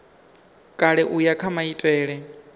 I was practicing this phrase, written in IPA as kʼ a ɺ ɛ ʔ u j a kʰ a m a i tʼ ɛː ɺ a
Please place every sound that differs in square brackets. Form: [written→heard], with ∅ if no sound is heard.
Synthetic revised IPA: kʼ a ɺ ɛ ʔ u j a kʰ a m a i tʼ ɛː ɺ [a→ɛ]